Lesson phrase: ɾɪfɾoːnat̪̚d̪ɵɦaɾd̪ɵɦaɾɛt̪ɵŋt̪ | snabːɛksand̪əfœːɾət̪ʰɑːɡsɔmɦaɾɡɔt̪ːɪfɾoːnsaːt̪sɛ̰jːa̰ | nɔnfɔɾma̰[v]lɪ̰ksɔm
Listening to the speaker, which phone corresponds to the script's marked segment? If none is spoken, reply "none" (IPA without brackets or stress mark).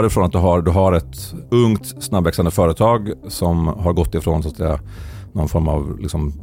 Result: v